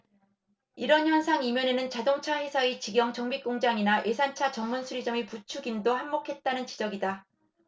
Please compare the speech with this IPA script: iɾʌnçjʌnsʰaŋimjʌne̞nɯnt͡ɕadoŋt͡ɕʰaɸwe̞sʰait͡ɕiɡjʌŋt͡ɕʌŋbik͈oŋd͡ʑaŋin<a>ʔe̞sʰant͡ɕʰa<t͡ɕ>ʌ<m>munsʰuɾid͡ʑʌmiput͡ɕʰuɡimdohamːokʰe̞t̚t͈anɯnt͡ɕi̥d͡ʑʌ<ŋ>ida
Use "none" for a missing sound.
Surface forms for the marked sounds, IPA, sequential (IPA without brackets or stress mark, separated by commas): a, t͡ɕ, ŋ, ɡ